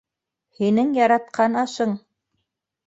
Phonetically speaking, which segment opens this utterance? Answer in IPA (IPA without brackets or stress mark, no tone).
h